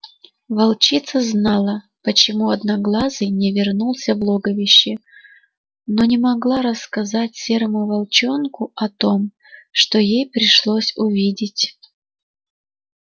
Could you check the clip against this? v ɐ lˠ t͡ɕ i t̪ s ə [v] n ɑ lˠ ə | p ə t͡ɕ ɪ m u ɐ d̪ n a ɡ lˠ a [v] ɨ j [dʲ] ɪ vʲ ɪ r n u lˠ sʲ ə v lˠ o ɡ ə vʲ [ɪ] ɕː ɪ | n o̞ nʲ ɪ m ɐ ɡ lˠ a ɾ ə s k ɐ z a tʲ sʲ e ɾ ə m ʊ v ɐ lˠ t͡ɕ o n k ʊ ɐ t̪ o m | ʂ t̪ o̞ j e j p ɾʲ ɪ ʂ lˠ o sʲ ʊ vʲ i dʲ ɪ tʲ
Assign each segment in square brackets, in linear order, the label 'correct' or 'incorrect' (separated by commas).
incorrect, incorrect, incorrect, correct